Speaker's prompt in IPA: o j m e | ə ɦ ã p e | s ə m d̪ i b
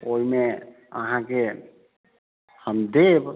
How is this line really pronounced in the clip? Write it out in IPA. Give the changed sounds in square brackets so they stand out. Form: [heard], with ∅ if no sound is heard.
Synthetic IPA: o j m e | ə ɦ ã [k] e | [h] ə m d̪ [e] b

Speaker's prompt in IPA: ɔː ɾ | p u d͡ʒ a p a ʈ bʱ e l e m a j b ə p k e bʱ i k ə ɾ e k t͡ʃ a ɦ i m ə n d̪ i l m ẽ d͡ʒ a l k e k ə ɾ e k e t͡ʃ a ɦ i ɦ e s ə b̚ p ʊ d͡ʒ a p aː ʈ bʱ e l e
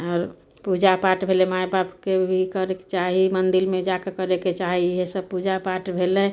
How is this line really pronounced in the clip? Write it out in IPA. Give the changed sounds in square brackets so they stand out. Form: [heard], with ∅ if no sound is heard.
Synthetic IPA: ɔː ɾ | p u d͡ʒ a p a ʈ bʱ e l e m a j b [a] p k e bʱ i k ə ɾ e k t͡ʃ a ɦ i m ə n d̪ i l m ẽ d͡ʒ a [∅] k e k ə ɾ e k e t͡ʃ a ɦ i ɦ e s ə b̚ p [u] d͡ʒ a p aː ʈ bʱ e l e

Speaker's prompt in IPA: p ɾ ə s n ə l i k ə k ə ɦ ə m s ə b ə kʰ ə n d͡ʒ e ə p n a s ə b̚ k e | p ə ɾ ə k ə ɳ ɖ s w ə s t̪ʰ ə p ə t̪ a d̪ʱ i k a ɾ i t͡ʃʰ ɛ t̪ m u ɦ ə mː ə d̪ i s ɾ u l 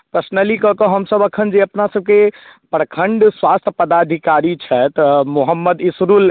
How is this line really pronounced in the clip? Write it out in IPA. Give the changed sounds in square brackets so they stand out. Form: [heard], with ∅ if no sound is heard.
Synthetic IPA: p ɾ ə s n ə l i k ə k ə ɦ ə m s ə b ə kʰ ə n d͡ʒ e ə p n a s ə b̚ k e | p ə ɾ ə [kʰ] ə ɳ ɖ s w [a] s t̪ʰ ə p ə [d̪] a d̪ʱ i k a ɾ i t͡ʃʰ ɛ t̪ m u ɦ ə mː ə d̪ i s ɾ u l

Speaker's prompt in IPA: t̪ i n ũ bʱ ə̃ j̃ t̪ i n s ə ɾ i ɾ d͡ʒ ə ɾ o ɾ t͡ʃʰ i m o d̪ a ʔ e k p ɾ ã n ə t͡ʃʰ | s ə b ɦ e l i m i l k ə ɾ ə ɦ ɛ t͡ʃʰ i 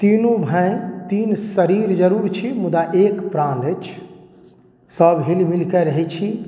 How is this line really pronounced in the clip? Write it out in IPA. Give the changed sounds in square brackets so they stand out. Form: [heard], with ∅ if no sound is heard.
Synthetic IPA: t̪ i n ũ bʱ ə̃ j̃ t̪ i n s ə ɾ i ɾ d͡ʒ ə ɾ [u] ɾ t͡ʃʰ i m [u] d̪ a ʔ e k p ɾ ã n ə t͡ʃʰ | s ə b ɦ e l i m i l k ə ɾ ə ɦ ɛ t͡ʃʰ i

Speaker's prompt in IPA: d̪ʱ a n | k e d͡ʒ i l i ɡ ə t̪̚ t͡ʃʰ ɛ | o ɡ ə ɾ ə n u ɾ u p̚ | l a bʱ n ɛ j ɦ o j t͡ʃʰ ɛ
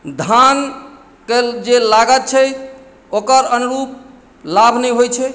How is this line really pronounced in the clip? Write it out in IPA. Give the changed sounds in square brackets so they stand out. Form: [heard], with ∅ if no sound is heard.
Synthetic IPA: d̪ʱ a n | k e d͡ʒ [e] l [a] ɡ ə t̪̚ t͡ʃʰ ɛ | o [k] ə ɾ ə n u ɾ u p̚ | l a bʱ n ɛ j ɦ o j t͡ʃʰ ɛ

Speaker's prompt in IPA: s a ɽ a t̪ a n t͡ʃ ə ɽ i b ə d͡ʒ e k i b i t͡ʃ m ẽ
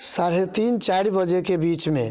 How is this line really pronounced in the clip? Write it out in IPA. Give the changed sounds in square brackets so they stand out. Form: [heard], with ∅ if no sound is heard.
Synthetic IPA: s a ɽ [e] t̪ [i] n t͡ʃ [a] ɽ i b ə d͡ʒ e k [e] b i t͡ʃ m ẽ

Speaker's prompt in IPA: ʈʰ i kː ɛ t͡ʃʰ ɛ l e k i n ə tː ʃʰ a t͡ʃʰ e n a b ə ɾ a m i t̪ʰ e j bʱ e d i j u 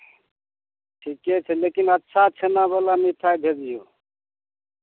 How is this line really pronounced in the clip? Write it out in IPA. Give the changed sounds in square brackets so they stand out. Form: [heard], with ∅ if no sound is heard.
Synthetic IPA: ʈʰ i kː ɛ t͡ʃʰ ɛ l e k i n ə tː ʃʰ a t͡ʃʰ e n a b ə [l] a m i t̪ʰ [a] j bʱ e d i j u

